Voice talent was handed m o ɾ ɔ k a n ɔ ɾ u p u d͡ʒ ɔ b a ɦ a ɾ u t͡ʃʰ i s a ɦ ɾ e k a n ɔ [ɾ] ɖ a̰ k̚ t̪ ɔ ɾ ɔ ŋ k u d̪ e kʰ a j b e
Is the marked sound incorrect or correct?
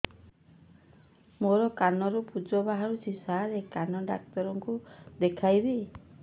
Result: incorrect